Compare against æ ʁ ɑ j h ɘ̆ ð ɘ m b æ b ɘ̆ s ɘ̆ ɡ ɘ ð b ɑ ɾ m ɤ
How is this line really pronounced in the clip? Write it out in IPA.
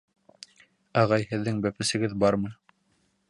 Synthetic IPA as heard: æ ʁ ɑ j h ɘ̆ ðː ɘ ŋ b æ p ɘ̆ s ɘ̆ ɡ ɘ ð b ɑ ɾ m ɤ